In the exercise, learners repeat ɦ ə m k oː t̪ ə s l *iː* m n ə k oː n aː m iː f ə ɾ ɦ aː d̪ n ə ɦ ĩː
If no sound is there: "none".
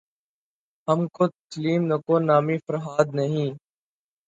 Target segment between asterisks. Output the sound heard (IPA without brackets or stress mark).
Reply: iː